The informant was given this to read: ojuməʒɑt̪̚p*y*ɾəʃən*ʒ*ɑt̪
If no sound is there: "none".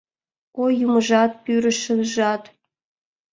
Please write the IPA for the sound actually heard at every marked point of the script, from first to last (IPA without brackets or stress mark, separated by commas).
y, ʒ